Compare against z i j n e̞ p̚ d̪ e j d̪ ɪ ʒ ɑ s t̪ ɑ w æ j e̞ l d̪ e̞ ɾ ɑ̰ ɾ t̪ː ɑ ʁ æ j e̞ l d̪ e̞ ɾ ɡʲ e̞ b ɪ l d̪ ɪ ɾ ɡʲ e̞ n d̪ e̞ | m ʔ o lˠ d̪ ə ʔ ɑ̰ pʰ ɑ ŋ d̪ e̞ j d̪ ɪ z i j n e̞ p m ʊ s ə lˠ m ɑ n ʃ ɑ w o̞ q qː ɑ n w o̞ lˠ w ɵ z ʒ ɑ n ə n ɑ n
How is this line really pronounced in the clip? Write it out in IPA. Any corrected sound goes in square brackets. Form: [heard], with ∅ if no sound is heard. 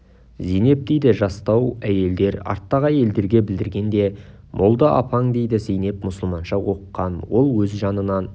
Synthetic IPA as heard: z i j n e̞ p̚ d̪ e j d̪ ɪ ʒ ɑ s t̪ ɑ w æ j e̞ l d̪ e̞ ɾ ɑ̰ ɾ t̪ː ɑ ʁ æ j e̞ l d̪ e̞ ɾ ɡʲ e̞ b ɪ l d̪ ɪ ɾ ɡʲ e̞ n d̪ e̞ | m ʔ o lˠ d̪ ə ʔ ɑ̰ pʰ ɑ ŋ d̪ e̞ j d̪ ɪ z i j n e̞ p m ʊ s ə lˠ m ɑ n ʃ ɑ w o̞ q qː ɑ n w o̞ lˠ w ɵ z ʒ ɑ n ə n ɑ n

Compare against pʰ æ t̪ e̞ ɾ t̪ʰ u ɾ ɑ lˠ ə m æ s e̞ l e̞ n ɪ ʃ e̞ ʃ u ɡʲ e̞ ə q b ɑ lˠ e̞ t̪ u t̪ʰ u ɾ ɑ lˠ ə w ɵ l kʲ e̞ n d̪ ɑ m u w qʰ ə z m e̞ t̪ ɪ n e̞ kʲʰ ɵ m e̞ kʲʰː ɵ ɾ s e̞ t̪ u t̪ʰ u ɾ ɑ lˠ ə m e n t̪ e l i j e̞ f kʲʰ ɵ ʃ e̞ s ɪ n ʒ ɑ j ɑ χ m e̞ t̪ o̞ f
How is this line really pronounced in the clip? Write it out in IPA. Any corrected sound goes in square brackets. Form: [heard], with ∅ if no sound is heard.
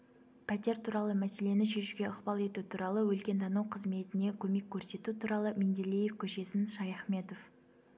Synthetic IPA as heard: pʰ æ t̪ e̞ ɾ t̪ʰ u ɾ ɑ lˠ ə m æ s e̞ l e̞ n ɪ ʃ e̞ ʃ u ɡʲ e̞ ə q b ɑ lˠ e̞ t̪ u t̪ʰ u ɾ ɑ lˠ ə w ɵ l kʲ e̞ n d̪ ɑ [n] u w qʰ ə z m e̞ t̪ ɪ n e̞ kʲʰ ɵ m e̞ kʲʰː ɵ ɾ s e̞ t̪ u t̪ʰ u ɾ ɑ lˠ ə m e n [d̪] e l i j e̞ f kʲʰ ɵ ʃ e̞ s ɪ n [ʃ] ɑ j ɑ χ m e̞ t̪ o̞ f

